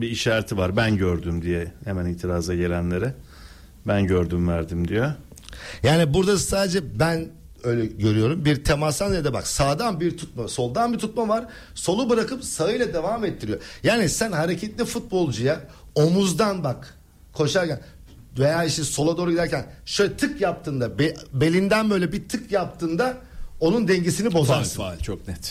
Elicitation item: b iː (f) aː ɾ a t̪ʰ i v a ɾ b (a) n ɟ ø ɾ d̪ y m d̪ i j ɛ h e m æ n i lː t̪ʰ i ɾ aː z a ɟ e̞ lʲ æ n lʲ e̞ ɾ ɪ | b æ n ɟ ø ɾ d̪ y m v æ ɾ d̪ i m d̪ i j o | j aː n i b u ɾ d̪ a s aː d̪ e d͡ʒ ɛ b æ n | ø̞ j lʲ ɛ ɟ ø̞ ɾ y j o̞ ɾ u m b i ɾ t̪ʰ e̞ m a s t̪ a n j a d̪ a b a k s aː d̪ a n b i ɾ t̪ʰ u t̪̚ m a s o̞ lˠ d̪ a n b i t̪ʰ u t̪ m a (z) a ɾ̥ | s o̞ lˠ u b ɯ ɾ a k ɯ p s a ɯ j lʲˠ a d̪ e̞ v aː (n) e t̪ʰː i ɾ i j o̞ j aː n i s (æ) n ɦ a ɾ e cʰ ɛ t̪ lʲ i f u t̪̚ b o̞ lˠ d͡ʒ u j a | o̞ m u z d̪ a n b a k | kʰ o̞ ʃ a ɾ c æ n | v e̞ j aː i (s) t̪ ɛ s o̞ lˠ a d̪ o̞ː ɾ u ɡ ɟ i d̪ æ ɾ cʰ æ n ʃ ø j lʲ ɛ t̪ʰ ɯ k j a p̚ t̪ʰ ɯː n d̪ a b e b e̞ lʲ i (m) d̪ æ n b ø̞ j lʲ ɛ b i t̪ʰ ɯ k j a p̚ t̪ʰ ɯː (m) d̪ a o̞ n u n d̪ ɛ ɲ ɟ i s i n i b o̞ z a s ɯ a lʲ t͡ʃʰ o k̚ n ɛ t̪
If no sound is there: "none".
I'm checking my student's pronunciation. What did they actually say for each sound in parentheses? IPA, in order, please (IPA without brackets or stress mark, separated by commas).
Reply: ʃ, æ, v, m, æ, ʃ, n, n